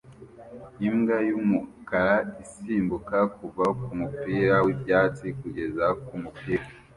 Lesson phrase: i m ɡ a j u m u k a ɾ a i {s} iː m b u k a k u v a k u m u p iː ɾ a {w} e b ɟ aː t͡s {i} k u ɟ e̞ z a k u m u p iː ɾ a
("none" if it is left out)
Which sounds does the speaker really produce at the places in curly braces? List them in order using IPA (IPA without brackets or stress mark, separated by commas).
s, w, i